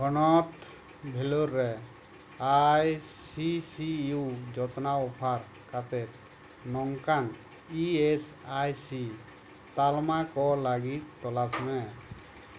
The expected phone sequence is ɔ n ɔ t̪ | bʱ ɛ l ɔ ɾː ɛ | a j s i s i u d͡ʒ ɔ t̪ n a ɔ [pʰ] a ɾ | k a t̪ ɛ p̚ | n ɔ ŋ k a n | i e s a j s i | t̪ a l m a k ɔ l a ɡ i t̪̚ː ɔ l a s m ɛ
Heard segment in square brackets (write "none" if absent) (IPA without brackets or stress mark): pʰ